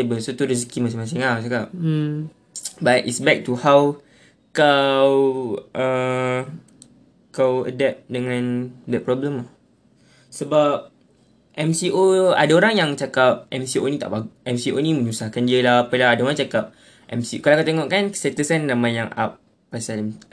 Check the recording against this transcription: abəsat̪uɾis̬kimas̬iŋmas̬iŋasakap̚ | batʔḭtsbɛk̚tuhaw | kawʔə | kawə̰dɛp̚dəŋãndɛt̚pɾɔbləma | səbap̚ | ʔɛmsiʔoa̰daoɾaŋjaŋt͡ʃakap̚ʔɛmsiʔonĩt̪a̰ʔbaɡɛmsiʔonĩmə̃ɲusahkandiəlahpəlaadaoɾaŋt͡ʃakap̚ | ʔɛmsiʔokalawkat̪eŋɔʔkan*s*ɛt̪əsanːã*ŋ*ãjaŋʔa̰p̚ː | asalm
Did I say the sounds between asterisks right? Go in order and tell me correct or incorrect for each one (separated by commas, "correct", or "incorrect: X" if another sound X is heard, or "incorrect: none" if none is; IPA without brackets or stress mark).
correct, incorrect: m